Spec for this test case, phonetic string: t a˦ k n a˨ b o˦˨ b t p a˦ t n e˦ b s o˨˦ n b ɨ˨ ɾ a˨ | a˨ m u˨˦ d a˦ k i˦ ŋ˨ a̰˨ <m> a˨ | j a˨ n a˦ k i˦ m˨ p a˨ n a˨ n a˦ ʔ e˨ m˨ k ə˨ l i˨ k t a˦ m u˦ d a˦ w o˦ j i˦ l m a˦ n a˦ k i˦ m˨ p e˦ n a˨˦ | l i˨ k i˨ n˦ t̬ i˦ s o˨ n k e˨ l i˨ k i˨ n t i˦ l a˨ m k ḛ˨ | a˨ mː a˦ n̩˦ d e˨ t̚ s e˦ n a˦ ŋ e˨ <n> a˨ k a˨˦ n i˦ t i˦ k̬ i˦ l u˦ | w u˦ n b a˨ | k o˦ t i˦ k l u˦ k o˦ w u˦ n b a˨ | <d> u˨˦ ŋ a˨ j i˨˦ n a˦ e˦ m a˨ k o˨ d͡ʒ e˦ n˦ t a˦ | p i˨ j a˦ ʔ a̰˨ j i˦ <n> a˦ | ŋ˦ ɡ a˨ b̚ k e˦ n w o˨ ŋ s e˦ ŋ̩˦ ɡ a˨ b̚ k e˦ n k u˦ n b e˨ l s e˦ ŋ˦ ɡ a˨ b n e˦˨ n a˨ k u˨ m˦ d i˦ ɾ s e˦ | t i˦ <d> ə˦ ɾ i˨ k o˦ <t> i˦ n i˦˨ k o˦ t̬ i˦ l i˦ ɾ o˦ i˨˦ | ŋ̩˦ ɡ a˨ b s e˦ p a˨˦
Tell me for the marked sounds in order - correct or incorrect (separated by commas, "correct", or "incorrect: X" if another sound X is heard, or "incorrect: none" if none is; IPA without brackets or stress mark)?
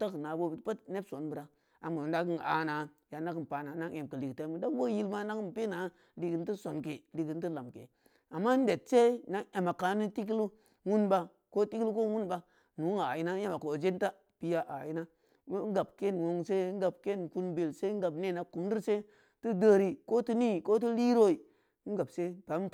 incorrect: n, incorrect: m, incorrect: n, correct, correct, correct